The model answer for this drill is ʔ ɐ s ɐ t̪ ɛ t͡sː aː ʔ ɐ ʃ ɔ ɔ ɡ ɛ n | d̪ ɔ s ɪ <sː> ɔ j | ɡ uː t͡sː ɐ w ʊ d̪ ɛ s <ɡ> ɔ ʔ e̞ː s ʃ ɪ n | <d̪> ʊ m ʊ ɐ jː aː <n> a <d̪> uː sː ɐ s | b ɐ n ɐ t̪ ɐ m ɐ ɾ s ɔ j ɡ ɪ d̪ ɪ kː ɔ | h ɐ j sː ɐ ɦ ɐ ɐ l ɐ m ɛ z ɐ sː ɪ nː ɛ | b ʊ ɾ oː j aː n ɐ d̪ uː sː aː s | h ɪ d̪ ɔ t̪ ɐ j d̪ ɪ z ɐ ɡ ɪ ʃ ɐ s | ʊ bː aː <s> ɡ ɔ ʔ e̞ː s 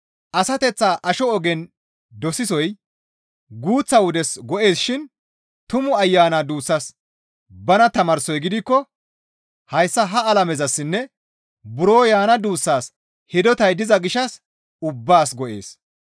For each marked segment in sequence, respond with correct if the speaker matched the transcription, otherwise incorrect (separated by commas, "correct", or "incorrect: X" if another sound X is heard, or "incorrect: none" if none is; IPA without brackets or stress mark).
incorrect: s, correct, incorrect: t̪, correct, correct, correct